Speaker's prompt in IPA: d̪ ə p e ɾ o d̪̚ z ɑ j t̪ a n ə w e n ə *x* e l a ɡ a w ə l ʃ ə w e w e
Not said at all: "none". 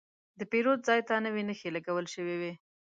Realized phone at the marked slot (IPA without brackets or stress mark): x